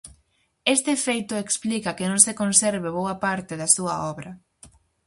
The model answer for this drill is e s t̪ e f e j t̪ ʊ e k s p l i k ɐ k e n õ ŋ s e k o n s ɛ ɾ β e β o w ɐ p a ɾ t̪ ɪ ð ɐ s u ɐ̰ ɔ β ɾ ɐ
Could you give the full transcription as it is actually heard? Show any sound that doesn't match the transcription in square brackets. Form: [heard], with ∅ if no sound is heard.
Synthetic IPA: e s t̪ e f e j t̪ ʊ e k s p l i k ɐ k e n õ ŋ s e k o n s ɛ ɾ β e β o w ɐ p a ɾ t̪ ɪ ð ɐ s u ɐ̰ ɔ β ɾ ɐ